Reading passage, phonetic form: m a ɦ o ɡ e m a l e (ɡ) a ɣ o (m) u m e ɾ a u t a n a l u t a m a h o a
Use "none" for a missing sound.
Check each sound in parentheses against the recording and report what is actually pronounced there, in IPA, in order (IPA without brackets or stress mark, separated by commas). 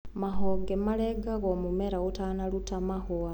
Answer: ɡ, m